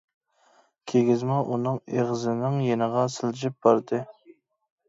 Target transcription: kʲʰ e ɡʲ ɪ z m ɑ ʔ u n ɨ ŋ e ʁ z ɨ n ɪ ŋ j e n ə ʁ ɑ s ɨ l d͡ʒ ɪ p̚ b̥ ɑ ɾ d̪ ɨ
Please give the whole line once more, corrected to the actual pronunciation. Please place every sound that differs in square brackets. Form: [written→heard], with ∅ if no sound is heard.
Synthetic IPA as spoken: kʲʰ e ɡʲ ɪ z m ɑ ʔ u n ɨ ŋ e ʁ z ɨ n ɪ ŋ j e n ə ʁ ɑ s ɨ l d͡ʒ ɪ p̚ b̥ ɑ ɾ d̪ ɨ